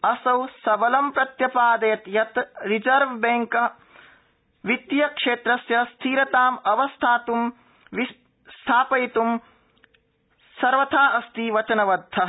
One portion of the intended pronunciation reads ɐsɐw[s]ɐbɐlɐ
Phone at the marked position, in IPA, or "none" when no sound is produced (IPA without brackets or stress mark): s